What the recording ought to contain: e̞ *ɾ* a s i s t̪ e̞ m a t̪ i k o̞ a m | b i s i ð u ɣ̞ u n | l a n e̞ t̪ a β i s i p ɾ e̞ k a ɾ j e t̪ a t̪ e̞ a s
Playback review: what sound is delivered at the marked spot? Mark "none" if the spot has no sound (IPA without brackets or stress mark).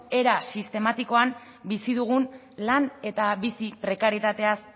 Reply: ɾ